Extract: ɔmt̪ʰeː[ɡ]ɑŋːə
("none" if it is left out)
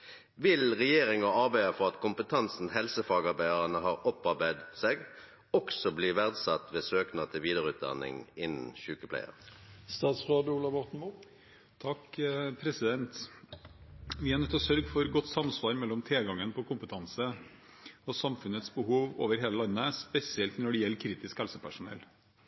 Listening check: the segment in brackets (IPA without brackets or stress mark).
ɡ